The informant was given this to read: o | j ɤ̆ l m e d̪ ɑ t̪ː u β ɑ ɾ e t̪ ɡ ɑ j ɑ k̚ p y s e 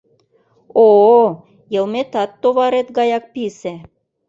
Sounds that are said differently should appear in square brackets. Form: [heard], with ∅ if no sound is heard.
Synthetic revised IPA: o | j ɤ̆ l m e [t̪] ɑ t̪ː [o] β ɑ ɾ e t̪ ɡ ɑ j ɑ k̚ p [i] s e